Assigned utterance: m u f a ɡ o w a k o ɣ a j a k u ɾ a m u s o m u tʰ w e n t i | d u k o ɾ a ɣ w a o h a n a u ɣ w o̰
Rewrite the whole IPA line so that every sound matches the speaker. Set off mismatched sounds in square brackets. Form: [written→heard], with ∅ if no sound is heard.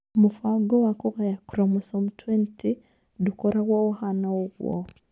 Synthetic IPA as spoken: m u f a ɡ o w a k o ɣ a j a k u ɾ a m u s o m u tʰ w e n t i | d u k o ɾ a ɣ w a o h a n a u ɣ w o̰